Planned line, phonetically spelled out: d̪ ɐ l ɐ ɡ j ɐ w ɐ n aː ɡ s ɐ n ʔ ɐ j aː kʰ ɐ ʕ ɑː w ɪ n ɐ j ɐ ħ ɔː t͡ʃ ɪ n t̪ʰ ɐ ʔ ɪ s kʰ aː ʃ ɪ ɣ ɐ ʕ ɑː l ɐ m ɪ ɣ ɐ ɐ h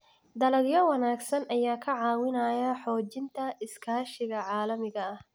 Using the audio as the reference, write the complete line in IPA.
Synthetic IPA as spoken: d̪ ɐ l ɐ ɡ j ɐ w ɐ n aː ɡ s ɐ n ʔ ɐ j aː kʰ ɐ ʕ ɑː w ɪ n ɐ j ɐ ħ ɔː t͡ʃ ɪ n t̪ʰ ɐ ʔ ɪ s kʰ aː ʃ ɪ ɣ ɐ ʕ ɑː l ɐ m ɪ ɣ ɐ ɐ h